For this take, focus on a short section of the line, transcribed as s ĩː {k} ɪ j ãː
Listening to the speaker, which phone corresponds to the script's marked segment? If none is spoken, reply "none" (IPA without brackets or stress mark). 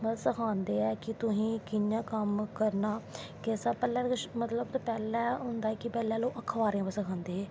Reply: k